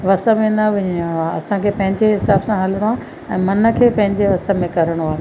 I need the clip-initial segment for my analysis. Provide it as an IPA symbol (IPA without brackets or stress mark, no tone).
ʋ